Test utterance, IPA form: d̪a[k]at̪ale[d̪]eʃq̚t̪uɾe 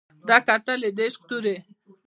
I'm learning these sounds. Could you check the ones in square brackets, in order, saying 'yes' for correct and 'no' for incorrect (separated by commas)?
yes, yes